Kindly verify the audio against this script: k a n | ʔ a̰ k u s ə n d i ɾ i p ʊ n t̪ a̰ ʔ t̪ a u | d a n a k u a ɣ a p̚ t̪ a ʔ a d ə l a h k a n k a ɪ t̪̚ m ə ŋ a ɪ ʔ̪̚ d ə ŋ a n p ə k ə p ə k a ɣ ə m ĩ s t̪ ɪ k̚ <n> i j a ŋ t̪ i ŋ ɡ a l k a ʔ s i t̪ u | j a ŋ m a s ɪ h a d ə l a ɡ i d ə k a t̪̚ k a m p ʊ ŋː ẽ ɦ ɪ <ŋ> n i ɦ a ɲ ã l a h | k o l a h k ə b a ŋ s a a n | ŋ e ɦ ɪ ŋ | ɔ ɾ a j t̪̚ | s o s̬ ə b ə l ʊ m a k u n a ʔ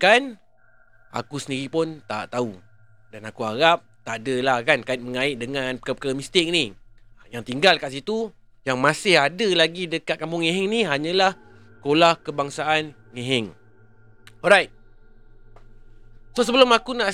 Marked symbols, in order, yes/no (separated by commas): yes, yes